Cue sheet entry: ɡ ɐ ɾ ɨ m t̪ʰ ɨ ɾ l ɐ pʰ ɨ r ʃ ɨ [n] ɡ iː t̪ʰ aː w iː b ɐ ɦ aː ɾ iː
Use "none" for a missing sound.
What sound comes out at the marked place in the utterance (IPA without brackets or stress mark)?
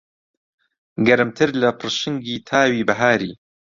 ŋ